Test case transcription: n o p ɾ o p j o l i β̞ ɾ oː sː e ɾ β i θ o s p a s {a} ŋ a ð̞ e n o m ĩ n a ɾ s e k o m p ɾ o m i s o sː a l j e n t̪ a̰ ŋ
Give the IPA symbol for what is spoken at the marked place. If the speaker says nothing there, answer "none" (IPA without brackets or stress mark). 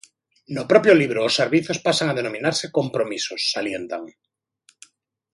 a